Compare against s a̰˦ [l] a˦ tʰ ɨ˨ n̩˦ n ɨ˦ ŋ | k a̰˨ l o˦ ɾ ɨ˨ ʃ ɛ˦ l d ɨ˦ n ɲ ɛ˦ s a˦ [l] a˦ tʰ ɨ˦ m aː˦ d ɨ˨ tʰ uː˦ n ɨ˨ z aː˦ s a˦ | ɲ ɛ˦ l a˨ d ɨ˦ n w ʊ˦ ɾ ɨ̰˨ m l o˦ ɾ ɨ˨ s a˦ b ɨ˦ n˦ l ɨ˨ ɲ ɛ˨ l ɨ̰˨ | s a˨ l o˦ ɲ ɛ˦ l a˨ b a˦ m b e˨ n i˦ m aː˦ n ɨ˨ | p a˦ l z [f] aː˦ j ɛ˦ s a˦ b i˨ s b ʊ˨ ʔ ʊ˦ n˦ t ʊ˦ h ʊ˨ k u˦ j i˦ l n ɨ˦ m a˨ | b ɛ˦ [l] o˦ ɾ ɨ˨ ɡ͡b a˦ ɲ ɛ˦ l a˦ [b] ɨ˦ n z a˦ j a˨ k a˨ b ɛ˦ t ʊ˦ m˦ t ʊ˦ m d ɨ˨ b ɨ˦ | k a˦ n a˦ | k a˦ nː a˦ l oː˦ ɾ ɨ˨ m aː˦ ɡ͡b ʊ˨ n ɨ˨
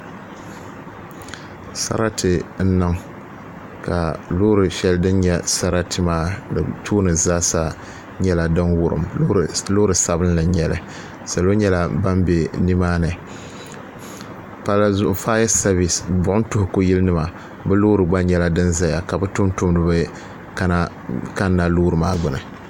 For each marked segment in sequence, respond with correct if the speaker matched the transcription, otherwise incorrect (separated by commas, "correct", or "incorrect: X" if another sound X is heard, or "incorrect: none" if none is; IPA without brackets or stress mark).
incorrect: ɾ, incorrect: ɾ, correct, correct, incorrect: d